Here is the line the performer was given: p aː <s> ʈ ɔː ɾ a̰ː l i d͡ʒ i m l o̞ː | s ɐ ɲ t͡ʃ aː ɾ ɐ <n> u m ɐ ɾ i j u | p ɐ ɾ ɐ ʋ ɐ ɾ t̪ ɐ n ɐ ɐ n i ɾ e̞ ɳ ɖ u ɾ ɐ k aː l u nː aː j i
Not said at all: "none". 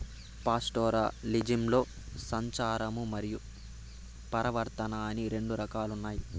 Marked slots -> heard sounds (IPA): s, m

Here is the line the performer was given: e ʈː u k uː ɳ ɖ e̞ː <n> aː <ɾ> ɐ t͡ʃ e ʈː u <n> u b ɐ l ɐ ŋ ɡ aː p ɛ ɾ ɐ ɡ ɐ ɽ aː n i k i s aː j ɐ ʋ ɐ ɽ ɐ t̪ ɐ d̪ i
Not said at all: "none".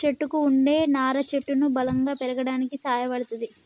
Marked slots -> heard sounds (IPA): n, ɾ, n

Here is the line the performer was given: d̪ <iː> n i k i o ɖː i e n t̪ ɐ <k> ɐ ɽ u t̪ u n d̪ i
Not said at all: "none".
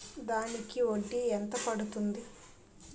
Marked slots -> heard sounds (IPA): aː, p

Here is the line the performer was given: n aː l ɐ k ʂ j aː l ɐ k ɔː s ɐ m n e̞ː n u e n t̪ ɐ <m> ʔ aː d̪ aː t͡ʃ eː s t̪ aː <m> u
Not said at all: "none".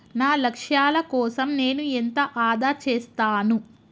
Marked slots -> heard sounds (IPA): none, n

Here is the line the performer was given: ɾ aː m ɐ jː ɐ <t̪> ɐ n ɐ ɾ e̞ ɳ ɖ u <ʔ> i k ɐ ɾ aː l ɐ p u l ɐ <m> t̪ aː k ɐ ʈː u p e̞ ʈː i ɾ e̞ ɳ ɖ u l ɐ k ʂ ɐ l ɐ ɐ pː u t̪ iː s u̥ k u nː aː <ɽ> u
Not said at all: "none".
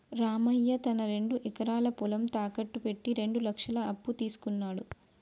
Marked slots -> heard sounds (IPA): t̪, ʔ, m, ɽ

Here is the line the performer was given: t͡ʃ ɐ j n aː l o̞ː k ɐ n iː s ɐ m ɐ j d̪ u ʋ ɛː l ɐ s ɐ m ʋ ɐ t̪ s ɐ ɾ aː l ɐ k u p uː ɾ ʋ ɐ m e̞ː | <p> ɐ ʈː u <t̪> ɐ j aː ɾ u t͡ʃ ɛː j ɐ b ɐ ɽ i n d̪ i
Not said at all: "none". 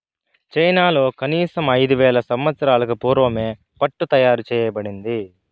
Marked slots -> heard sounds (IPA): p, t̪

